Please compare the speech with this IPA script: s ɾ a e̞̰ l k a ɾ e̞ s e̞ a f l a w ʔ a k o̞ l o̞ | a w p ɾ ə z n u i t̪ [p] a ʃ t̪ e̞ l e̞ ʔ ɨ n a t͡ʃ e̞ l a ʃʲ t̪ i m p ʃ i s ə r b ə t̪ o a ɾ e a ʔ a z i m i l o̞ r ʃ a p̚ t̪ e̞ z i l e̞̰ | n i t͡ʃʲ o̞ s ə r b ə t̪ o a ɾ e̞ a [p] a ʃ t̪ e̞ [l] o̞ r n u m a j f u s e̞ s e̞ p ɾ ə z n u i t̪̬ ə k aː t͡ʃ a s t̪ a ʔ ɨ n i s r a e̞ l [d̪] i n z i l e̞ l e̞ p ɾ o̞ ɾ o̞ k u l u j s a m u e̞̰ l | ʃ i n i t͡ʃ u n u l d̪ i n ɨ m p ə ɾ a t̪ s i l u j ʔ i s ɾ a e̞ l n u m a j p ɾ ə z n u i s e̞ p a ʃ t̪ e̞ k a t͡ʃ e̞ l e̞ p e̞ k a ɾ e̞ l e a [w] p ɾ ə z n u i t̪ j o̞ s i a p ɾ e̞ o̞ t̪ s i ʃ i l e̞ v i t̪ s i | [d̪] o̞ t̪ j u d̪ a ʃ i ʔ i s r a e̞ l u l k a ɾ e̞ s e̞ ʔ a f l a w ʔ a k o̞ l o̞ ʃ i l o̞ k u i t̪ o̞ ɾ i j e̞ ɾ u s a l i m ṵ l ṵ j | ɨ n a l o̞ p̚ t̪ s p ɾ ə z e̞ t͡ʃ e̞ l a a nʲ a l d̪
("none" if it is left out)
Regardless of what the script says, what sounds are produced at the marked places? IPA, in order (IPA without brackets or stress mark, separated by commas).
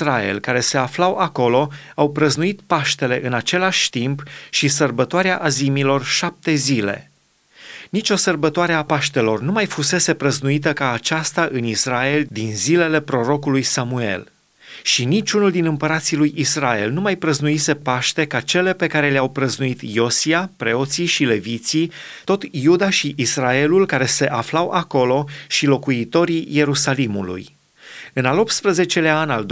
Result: p, p, l, d̪, w, t̪